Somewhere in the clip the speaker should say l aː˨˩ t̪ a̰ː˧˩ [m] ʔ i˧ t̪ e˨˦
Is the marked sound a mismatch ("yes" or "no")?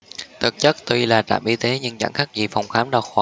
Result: no